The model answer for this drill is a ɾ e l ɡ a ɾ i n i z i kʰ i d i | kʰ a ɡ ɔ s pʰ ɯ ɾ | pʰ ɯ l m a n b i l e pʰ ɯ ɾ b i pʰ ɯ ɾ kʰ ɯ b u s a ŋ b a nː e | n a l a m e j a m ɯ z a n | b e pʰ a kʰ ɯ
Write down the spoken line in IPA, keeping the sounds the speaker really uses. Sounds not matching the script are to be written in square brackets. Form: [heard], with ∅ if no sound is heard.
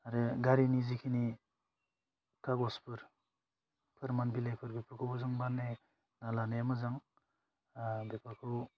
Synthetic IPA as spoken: a ɾ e [∅] ɡ a ɾ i n i z i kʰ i [n] i | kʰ a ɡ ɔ s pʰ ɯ ɾ | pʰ ɯ [ɾ] m a n b i l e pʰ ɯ ɾ b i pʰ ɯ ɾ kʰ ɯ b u [z] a ŋ b a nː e | n a l a [n] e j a m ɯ z a [ŋ] | b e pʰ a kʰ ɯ